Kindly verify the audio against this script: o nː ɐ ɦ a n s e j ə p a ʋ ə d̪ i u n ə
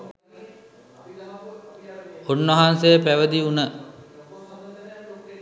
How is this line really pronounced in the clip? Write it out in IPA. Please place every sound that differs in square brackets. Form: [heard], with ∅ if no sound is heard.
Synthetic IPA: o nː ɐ ɦ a n s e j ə p [æ] ʋ ə d̪ i u n ə